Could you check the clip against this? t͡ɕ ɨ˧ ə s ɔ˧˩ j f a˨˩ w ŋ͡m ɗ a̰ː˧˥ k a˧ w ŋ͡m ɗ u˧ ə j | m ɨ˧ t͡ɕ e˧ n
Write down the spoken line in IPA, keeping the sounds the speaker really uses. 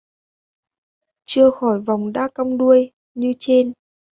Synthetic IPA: t͡ɕ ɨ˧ ə x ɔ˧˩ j v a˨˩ w ŋ͡m ɗ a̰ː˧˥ k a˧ w ŋ͡m ɗ u˧ ə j | ɲ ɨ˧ t͡ɕ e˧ n